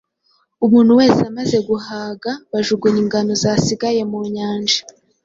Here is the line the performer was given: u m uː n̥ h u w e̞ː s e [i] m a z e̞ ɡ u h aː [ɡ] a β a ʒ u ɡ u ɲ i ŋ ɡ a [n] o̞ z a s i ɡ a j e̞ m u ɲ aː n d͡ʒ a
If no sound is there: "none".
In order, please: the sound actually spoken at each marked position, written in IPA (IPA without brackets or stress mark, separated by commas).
a, ɡ, n